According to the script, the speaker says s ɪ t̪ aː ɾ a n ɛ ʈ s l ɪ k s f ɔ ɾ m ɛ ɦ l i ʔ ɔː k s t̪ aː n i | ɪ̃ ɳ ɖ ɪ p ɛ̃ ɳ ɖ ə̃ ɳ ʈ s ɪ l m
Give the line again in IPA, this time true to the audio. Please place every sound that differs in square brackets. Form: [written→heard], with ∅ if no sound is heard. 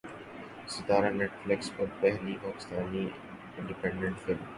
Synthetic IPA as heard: s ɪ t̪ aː ɾ a n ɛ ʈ [s→f] l ɪ k s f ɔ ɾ [m→b] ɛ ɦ l i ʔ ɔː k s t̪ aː n i | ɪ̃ ɳ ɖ ɪ p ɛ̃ ɳ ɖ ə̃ ɳ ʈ [s→f] ɪ l m